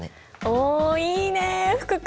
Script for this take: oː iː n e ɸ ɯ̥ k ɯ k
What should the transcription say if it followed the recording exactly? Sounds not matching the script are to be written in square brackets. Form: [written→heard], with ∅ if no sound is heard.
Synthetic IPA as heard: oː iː n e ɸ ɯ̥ k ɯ k